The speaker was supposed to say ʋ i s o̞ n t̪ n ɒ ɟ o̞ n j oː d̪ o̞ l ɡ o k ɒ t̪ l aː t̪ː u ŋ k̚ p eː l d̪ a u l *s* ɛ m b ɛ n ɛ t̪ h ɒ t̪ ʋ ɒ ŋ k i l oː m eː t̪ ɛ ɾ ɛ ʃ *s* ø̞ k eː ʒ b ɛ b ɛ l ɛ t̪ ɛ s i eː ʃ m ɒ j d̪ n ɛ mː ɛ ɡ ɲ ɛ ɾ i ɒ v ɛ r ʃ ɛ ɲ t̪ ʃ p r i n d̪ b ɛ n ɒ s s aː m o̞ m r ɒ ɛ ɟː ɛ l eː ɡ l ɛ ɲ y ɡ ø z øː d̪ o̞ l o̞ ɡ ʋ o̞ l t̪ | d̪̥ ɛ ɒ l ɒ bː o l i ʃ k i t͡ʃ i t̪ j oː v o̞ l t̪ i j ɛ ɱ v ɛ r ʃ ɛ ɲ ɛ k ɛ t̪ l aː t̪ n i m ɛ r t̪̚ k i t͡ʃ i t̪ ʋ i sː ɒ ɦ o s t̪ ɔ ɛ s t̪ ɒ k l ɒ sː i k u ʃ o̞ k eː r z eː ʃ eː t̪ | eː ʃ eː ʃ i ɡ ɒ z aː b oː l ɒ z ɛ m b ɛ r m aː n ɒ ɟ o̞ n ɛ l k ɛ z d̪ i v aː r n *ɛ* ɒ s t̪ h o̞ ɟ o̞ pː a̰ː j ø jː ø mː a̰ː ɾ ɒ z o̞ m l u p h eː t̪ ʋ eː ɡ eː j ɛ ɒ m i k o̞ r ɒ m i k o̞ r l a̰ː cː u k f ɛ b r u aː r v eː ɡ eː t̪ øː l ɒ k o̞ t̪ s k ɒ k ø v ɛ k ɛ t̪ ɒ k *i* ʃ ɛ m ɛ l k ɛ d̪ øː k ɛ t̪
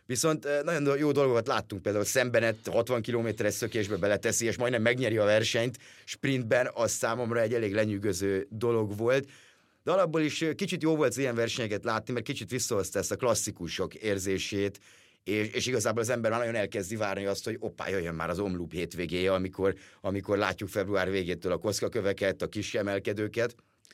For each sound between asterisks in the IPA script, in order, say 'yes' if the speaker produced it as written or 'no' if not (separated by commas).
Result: yes, yes, no, yes